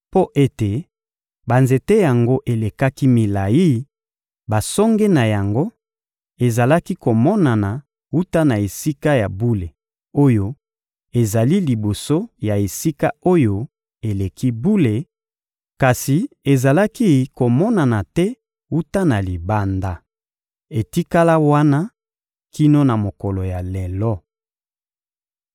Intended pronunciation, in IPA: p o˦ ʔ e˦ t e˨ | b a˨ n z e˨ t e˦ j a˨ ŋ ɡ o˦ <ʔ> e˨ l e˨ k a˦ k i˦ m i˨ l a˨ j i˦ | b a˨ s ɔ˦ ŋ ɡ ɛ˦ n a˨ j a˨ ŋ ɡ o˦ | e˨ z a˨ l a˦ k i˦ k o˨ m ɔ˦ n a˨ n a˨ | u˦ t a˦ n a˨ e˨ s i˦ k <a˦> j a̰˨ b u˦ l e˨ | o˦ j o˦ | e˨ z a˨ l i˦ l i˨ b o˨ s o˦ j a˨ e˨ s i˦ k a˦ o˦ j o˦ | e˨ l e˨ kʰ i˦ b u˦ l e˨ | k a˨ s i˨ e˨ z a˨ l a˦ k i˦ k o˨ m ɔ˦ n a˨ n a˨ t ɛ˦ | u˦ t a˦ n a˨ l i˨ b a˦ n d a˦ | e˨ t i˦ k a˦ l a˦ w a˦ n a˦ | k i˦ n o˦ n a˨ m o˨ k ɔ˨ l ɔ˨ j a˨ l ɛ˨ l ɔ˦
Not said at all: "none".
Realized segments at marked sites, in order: ʔ, a˦

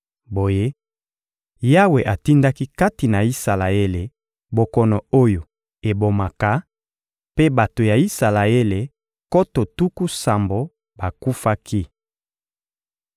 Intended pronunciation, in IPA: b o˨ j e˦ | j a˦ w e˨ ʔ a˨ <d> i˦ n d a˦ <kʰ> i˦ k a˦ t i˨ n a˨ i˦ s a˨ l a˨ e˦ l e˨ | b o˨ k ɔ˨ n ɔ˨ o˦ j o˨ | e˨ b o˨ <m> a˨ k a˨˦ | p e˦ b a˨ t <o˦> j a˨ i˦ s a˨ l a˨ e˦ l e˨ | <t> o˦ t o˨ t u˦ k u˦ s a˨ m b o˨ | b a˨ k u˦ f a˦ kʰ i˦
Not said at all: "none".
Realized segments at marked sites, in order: t, k, m, o˨, k

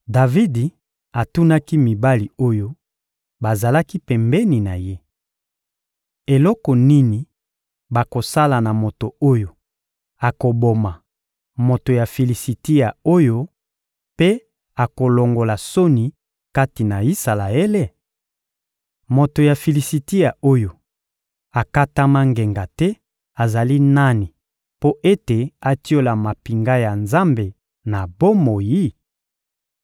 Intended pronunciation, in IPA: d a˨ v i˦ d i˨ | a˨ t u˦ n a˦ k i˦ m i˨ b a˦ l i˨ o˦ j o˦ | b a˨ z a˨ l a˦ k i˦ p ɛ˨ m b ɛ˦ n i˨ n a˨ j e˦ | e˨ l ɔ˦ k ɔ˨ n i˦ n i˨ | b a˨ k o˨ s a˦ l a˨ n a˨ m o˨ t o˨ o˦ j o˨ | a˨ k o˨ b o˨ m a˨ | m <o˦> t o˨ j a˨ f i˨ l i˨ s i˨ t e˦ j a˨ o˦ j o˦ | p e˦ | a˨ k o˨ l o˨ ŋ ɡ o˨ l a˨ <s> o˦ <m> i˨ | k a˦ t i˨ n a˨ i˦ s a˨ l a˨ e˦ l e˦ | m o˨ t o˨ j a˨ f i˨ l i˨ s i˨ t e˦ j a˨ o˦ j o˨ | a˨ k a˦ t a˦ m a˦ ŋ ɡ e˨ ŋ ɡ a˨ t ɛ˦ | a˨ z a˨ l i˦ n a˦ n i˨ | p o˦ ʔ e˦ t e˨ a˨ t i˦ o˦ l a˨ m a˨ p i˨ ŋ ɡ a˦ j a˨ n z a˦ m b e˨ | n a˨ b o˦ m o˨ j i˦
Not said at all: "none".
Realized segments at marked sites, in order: o˨, s, n

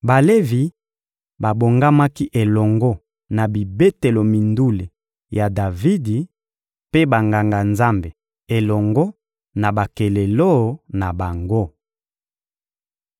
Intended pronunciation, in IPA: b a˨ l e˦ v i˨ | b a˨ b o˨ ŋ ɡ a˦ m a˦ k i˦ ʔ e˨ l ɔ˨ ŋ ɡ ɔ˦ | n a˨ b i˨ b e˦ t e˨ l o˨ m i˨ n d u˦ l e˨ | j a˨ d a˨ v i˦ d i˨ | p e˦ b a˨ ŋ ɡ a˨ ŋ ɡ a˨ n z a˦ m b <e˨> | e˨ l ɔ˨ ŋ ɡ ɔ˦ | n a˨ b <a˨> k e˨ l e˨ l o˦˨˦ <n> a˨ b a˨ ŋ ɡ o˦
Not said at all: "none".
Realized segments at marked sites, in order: e˨, a˨, n

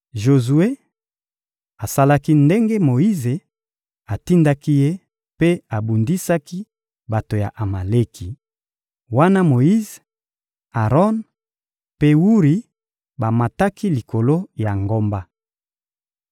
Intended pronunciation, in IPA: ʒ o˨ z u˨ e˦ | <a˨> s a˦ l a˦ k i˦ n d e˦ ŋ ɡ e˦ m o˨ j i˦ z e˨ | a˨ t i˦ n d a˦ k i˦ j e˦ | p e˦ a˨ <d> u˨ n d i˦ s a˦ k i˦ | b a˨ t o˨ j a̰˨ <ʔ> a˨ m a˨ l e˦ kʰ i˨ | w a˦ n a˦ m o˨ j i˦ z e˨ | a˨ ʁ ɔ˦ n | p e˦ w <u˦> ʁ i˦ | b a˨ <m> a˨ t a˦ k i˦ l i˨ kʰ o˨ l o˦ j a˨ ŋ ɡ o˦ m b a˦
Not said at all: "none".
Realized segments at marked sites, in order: a˨, b, ʔ, u˦, m

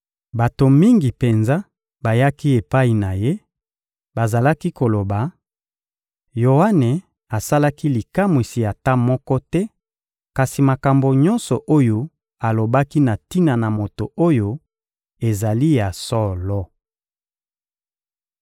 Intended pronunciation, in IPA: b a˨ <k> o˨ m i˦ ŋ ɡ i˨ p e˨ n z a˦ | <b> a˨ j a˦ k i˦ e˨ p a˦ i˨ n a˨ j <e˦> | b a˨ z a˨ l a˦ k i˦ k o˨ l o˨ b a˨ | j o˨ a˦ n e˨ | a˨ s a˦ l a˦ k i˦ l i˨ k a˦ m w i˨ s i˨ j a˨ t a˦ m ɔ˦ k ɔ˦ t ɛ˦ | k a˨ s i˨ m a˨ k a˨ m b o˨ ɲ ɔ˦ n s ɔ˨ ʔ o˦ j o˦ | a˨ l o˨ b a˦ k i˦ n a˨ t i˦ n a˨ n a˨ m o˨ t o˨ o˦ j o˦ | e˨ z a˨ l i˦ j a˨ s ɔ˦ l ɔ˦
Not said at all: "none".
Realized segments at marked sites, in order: t, b, e˦

